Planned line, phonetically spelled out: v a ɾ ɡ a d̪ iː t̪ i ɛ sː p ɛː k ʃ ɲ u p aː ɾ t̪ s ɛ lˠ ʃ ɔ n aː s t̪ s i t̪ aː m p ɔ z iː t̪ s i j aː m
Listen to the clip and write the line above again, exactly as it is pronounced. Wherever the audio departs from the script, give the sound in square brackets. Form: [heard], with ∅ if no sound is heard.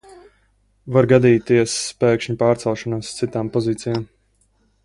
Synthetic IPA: v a ɾ ɡ a d̪ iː t̪ i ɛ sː p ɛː k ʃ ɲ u p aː ɾ t̪ s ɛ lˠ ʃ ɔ n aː s t̪ s i t̪ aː m p ɔ z iː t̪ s i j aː m